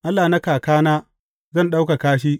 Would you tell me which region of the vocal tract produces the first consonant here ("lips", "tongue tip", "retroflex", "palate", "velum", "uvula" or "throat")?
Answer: throat